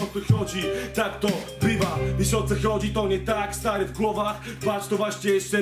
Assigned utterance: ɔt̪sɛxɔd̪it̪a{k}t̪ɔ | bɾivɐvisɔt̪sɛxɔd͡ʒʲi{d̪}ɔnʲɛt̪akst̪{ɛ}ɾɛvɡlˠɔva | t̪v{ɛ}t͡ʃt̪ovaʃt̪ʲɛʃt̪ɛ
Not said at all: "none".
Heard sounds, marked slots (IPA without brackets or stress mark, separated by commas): k, t̪, a, a